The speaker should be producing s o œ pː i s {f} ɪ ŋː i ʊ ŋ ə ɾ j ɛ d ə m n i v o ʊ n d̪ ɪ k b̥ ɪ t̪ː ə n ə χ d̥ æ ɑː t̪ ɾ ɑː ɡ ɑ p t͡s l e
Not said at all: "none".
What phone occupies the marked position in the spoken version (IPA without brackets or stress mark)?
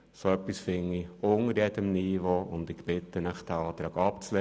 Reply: f